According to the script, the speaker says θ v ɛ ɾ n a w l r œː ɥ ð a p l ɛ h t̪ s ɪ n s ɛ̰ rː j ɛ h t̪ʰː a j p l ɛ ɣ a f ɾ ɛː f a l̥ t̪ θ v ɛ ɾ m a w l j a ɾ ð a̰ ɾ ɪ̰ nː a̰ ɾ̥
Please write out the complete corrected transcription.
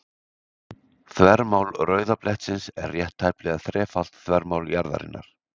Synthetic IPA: θ v ɛ ɾ m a w l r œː ɥ ð a p l ɛ h t̪ s ɪ n s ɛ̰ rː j ɛ h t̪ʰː a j p l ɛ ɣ a θ ɾ ɛː f a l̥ t̪ θ v ɛ ɾ m a w l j a ɾ ð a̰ ɾ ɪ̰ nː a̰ ɾ̥